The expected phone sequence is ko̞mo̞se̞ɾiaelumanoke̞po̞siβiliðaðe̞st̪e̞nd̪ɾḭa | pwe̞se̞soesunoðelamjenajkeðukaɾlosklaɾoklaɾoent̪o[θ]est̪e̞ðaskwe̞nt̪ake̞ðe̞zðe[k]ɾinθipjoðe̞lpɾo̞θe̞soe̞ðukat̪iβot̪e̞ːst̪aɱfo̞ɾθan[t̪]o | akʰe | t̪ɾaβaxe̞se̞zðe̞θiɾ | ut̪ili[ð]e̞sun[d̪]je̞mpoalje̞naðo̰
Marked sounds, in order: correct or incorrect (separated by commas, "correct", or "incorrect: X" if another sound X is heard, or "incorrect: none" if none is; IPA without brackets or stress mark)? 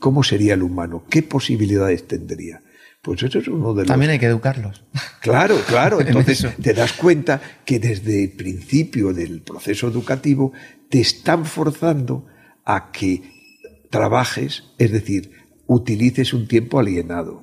correct, incorrect: p, incorrect: d̪, incorrect: θ, incorrect: t̪